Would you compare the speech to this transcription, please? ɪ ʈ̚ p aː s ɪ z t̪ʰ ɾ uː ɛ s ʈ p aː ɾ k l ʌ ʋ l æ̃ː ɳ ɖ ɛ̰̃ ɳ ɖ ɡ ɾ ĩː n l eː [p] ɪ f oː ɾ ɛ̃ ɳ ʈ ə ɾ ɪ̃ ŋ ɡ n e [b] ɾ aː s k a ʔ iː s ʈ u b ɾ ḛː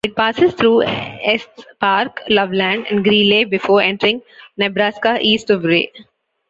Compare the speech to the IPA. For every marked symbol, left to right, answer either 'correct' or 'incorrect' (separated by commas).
incorrect, correct